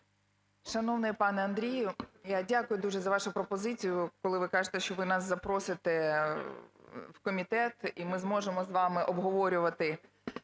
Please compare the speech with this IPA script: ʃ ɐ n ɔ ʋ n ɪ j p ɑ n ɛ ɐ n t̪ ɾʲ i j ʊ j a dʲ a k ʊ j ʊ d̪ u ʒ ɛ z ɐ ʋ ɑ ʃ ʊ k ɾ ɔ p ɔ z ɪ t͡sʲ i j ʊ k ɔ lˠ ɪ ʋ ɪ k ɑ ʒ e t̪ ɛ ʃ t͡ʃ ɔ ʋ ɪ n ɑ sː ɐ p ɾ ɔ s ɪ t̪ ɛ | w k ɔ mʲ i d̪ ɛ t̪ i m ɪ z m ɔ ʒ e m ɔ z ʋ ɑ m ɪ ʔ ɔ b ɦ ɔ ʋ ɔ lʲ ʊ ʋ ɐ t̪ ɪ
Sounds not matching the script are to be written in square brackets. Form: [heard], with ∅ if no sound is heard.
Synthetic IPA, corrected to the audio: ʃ ɐ n ɔ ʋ n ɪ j p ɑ n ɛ ɐ n [d̪] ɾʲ i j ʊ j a dʲ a k ʊ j ʊ d̪ u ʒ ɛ z ɐ ʋ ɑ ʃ ʊ [p] ɾ ɔ p ɔ z ɪ t͡sʲ i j ʊ k ɔ lˠ ɪ ʋ ɪ k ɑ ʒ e t̪ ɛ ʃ t͡ʃ ɔ ʋ ɪ n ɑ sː ɐ p ɾ ɔ s ɪ t̪ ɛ | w k ɔ mʲ i [t̪] ɛ t̪ i m ɪ z m ɔ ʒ e m ɔ z ʋ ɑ m ɪ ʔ ɔ b ɦ ɔ ʋ ɔ [ɾʲ] ʊ ʋ ɐ t̪ ɪ